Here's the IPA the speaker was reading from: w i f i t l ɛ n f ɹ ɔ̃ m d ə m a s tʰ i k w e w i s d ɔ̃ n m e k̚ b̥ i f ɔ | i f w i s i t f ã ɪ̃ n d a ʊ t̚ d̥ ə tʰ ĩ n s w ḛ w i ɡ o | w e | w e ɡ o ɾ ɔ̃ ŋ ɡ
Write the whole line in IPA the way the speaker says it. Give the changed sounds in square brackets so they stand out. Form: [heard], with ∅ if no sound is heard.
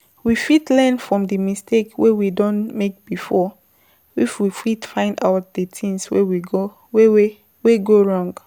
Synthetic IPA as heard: w i f i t l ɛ n f ɹ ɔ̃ m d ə m [i] s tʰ [e] k w e w i [∅] d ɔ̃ n m e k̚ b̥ i f ɔ | i f w i [f] i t f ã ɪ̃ n d a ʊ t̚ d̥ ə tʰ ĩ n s w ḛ w i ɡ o | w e | w e ɡ o [ɹ] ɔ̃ ŋ ɡ